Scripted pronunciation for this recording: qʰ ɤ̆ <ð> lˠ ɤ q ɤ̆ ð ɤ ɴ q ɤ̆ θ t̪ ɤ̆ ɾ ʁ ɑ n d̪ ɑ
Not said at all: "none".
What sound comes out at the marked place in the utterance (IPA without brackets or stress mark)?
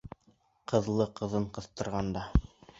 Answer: ð